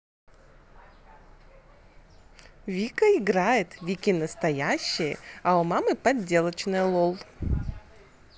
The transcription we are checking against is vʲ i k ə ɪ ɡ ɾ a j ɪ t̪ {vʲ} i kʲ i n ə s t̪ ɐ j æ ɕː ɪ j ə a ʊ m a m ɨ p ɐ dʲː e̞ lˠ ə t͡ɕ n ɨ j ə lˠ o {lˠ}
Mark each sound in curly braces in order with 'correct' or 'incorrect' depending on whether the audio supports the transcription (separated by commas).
correct, correct